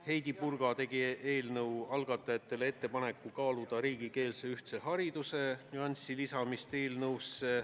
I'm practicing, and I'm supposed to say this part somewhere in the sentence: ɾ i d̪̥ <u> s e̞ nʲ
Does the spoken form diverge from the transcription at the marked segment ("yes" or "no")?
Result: no